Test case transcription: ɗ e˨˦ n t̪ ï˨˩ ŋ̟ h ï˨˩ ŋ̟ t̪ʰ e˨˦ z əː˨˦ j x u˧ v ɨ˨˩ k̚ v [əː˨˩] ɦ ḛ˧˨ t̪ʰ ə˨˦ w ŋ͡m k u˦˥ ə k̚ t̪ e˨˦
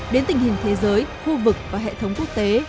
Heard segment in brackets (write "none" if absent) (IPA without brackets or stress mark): aː˨˩